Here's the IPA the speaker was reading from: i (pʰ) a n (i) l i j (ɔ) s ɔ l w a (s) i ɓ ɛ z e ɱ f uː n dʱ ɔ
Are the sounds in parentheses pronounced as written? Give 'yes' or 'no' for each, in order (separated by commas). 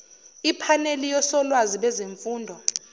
yes, no, yes, no